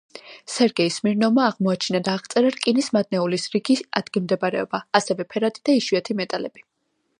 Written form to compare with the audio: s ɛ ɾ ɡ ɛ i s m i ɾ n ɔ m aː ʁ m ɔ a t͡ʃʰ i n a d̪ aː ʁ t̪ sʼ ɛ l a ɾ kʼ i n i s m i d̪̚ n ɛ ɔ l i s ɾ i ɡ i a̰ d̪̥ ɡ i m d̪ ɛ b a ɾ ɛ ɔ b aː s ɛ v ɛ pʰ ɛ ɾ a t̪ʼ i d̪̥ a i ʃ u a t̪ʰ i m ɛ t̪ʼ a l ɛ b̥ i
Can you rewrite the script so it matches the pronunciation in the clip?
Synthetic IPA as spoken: s ɛ ɾ ɡ ɛ i s m i ɾ n ɔ m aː ʁ m ɔ a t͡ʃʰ i n a d̪ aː ʁ t̪ sʼ ɛ ɾ a ɾ kʼ i n i s m a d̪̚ n ɛ u l i s ɾ i ɡ i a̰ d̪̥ ɡ i m d̪ ɛ b a ɾ ɛ ɔ b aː s ɛ v ɛ pʰ ɛ ɾ a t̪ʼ i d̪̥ a i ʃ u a t̪ʰ i m ɛ t̪ʼ a l ɛ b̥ i